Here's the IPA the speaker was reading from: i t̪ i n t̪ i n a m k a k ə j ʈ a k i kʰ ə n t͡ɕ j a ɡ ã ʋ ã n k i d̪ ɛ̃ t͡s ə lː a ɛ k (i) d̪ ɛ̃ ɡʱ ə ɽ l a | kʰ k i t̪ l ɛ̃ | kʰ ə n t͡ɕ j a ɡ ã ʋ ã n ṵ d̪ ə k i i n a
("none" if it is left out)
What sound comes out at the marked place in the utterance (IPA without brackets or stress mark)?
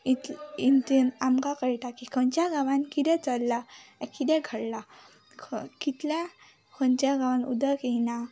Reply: i